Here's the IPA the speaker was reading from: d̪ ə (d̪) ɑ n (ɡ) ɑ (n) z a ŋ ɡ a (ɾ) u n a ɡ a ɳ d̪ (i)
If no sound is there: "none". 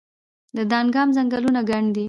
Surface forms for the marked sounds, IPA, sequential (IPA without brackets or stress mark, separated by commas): d̪, ɡ, m, l, i